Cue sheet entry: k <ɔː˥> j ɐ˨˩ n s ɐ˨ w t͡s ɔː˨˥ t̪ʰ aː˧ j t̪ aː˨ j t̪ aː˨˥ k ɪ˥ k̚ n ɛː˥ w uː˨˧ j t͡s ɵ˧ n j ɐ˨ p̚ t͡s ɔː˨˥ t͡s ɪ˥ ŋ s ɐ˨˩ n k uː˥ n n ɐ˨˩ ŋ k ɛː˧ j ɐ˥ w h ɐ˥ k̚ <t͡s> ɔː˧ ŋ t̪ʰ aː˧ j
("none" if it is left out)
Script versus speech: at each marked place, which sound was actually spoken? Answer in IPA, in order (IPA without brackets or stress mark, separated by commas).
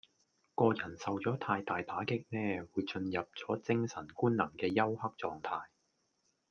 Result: ɔː˧, t͡s